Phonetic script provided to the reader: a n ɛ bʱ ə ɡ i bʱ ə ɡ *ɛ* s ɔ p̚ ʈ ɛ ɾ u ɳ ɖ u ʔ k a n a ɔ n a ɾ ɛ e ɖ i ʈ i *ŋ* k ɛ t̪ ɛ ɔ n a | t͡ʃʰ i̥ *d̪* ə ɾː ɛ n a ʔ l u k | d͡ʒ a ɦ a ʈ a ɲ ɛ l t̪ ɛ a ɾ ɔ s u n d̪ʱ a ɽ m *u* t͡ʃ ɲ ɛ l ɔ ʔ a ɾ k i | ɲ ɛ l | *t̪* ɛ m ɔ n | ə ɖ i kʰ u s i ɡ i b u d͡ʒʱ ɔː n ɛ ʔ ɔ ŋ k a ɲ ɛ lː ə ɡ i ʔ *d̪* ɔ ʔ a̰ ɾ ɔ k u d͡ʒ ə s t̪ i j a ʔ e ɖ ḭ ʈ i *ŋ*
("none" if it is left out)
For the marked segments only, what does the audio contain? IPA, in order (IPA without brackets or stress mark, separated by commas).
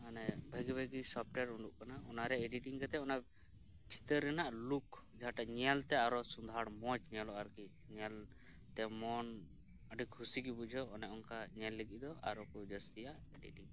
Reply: i, ŋ, t̪, ɔ, t̪, d̪, ŋ